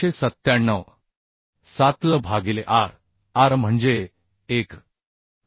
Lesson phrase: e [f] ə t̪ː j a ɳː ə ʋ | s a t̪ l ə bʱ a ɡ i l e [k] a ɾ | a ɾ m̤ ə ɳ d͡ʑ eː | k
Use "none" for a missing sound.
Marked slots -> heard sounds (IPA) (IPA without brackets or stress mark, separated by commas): s, ʔ